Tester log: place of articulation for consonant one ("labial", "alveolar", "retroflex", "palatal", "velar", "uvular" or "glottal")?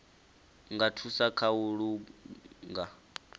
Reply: velar